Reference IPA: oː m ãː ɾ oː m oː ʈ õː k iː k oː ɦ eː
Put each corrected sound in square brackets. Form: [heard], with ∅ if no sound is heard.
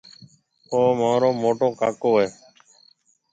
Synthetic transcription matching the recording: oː m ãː ɾ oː m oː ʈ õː k [aː] k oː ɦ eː